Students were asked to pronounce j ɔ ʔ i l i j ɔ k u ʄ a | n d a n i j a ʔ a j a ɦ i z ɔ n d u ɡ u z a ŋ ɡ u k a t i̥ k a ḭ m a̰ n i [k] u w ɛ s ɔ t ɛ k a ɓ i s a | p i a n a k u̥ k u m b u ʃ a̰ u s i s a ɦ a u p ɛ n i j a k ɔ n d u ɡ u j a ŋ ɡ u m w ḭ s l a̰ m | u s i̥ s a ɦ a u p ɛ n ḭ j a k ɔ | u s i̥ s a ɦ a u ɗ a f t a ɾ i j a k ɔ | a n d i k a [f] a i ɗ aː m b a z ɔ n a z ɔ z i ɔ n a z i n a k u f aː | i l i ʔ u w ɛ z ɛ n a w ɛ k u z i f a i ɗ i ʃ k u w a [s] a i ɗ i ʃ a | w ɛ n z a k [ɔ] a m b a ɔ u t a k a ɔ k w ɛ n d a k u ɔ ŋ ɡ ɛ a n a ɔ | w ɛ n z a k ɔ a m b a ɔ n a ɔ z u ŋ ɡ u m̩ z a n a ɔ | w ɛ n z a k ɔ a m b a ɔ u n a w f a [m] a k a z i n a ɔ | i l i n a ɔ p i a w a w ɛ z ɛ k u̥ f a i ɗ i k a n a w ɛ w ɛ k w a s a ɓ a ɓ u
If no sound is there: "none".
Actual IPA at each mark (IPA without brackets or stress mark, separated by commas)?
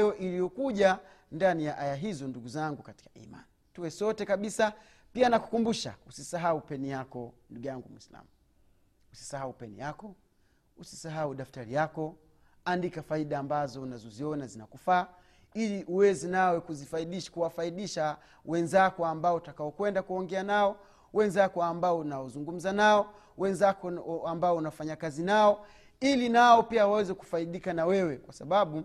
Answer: t, f, f, ɔ, ɲ